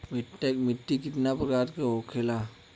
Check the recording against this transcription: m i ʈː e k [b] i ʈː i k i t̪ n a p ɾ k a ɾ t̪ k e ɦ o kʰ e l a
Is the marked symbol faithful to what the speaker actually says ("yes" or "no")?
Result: no